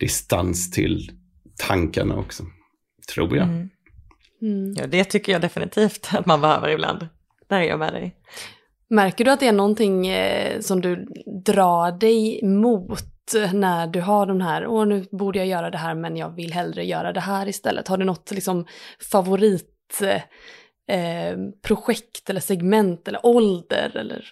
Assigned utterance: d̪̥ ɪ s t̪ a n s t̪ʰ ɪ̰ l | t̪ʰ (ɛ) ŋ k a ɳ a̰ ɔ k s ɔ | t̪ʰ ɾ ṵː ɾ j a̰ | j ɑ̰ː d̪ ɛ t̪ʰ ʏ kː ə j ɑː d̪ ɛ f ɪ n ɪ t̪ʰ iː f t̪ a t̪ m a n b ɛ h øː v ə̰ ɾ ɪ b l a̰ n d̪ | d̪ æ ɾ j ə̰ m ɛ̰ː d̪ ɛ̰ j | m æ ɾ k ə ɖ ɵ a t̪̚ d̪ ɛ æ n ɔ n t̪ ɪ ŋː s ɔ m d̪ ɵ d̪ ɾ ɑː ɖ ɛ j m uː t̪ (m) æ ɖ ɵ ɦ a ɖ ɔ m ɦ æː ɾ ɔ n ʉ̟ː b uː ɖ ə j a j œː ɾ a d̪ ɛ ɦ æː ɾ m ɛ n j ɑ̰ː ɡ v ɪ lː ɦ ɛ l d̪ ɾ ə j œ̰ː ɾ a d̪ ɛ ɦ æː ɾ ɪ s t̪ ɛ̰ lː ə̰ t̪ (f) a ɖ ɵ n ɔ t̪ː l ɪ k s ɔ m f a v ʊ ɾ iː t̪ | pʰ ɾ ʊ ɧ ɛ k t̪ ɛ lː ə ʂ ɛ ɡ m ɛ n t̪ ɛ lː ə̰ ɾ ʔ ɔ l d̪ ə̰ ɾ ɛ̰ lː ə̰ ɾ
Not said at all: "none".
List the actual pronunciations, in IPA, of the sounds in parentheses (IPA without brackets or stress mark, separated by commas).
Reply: a, n, h